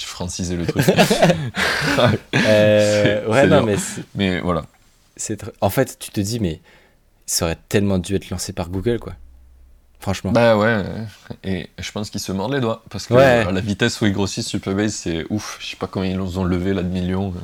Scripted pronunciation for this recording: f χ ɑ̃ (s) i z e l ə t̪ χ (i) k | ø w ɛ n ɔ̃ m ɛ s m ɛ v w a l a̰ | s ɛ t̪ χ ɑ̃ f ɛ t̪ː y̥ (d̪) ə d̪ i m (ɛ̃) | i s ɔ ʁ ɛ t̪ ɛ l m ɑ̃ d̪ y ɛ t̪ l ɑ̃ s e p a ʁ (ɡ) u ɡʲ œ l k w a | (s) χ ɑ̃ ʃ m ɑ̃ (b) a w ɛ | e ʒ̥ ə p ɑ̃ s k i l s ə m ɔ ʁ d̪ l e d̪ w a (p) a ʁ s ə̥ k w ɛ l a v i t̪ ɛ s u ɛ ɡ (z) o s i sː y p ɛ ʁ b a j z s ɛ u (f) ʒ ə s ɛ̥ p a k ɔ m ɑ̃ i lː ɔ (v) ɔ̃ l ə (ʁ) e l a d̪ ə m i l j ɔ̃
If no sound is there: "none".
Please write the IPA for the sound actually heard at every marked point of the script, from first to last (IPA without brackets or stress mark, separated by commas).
s, y, t̪, ɛ, ɡ, f, b, p, ʁ, f, z, v